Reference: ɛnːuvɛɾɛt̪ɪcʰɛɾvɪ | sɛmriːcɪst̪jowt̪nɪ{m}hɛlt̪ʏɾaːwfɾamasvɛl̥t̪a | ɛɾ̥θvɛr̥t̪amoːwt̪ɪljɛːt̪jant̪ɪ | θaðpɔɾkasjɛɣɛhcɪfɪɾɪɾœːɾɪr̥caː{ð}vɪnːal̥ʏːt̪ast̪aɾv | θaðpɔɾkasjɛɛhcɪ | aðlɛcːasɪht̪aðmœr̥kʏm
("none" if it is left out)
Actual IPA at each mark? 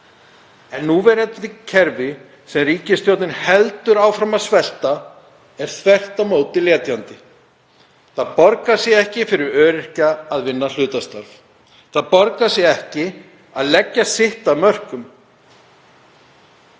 n, ð

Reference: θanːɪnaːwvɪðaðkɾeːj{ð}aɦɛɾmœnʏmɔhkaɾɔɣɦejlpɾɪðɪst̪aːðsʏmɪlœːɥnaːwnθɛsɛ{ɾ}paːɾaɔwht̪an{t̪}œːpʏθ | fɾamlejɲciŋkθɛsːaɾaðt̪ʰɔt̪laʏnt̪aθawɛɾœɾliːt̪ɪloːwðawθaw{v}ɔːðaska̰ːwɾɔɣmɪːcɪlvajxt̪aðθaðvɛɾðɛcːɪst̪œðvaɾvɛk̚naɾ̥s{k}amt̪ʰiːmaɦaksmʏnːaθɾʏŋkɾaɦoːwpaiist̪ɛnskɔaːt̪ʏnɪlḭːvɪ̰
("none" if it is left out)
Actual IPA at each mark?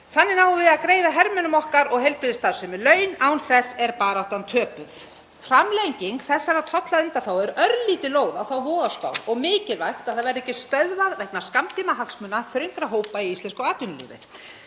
ð, ɾ, t̪ʰ, v, k

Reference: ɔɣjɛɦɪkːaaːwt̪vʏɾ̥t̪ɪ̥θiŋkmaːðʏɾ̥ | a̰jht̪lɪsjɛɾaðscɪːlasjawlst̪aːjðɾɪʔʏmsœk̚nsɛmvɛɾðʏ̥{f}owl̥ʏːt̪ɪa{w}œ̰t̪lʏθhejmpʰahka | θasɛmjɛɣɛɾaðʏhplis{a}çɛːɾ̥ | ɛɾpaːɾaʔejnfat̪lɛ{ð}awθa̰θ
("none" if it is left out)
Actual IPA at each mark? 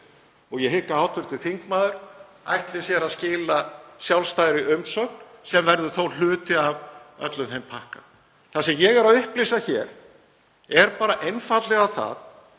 θ, v, a, ɣ

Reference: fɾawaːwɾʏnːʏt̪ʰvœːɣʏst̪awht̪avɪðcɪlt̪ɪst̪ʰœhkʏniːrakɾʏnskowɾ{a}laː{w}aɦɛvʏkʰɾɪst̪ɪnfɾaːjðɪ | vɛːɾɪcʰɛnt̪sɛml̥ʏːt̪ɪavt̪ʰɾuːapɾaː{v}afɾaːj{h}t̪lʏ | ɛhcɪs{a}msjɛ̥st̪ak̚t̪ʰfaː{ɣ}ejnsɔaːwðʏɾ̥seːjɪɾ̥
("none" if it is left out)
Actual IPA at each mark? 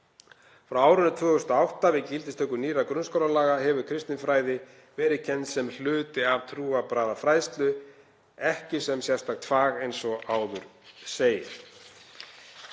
a, ɣ, ð, s, ɛ, ɣ

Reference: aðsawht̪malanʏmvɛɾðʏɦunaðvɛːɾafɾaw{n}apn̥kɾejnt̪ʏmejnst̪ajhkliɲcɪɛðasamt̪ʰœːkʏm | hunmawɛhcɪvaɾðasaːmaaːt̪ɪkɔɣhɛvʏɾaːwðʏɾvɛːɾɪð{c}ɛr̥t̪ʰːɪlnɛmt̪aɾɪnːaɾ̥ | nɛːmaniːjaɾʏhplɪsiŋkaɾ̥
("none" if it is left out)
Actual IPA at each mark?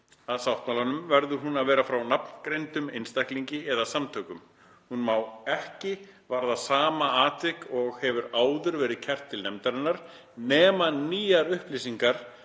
n, cʰ

